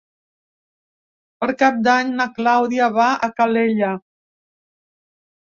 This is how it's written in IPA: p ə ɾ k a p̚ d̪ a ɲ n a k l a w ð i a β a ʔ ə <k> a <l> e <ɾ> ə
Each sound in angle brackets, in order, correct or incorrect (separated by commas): correct, correct, incorrect